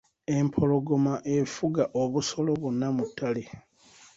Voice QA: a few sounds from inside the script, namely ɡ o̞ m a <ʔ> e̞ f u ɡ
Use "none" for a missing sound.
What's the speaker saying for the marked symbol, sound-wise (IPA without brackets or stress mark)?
ʔ